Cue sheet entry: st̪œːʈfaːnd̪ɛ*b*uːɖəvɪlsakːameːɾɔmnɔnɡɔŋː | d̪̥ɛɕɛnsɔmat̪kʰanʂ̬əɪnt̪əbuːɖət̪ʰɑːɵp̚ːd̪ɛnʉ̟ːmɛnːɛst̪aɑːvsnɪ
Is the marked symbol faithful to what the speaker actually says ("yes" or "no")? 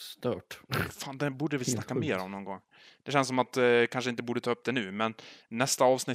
yes